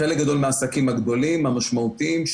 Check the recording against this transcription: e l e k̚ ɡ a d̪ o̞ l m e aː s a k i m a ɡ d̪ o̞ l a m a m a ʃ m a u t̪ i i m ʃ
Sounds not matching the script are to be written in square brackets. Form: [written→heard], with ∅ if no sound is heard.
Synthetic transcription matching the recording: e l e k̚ ɡ a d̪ o̞ l m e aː s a k i m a ɡ d̪ o̞ l [a→i] m a m a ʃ m a u t̪ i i m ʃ